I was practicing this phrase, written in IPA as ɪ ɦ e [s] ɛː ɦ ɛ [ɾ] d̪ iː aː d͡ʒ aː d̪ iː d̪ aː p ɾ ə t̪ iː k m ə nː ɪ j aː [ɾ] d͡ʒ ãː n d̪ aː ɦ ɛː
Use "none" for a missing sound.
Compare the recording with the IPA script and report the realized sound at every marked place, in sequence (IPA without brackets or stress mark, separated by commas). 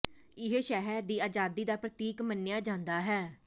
ʃ, ɾ, none